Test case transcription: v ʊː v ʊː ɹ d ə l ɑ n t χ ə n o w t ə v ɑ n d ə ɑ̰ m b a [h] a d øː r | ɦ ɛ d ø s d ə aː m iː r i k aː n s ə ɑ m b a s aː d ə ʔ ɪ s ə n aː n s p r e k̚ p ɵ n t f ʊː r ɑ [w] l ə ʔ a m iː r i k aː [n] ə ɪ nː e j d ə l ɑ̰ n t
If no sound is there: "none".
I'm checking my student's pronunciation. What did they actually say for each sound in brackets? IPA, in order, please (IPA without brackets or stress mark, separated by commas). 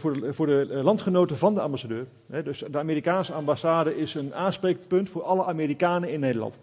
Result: s, none, n